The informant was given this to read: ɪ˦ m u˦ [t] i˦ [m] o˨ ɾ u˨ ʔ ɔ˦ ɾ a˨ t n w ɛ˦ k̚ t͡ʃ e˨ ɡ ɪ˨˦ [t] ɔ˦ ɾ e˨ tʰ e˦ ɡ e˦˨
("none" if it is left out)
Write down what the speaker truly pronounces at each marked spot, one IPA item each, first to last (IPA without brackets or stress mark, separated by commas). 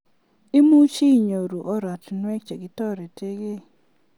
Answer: t͡ʃ, ɲ, t